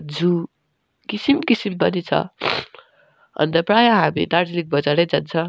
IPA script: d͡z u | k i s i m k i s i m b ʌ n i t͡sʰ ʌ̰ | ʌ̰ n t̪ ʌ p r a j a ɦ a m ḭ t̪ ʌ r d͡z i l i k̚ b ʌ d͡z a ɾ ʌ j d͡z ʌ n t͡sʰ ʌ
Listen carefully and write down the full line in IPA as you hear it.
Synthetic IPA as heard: d͡z u | k i s i m k i s i m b ʌ n i t͡sʰ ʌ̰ | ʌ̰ n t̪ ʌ p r a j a ɦ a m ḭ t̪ a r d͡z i l i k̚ b ʌ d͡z a ɾ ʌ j d͡z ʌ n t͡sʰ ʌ